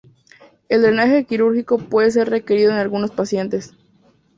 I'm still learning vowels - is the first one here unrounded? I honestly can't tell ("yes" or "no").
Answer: yes